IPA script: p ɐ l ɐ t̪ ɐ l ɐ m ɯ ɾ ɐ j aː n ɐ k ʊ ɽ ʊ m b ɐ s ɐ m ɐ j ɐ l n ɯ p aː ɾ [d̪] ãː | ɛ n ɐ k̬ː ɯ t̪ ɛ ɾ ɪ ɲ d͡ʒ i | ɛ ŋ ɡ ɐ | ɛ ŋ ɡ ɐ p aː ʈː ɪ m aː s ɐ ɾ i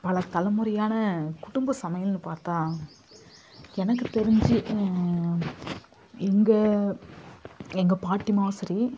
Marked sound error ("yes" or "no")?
yes